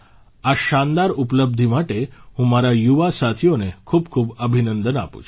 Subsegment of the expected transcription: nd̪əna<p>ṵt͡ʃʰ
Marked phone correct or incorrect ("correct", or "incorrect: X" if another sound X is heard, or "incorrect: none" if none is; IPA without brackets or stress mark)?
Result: correct